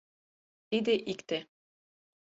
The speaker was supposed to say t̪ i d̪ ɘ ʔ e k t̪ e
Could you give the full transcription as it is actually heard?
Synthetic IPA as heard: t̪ i d̪ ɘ ʔ i k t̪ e